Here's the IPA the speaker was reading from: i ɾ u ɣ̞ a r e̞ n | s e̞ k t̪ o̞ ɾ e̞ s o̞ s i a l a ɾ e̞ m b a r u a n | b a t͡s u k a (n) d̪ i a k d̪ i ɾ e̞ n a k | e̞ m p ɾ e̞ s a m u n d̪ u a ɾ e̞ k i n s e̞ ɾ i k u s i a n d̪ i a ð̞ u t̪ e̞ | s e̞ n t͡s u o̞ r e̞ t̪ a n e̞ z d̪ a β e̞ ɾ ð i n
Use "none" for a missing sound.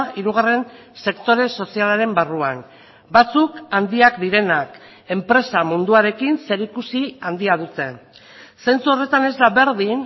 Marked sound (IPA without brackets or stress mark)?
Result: n